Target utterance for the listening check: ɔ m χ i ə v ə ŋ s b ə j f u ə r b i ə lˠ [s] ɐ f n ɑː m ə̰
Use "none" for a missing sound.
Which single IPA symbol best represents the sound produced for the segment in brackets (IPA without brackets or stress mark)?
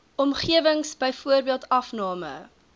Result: t